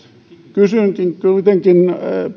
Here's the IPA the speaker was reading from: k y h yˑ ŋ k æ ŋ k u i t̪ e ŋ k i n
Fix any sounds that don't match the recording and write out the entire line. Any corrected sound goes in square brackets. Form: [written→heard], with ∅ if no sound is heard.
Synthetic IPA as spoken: k y [h→s] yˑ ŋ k [æ→i] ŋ k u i t̪ e ŋ k i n